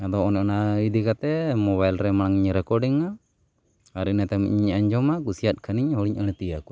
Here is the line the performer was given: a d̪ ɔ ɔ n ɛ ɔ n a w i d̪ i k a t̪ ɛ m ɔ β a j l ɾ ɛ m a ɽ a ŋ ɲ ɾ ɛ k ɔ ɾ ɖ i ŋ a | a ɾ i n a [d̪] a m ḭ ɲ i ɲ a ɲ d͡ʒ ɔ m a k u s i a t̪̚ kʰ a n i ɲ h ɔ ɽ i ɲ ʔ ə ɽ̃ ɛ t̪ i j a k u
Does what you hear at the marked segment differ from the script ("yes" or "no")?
yes